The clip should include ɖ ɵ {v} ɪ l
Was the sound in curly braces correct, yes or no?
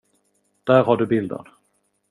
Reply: no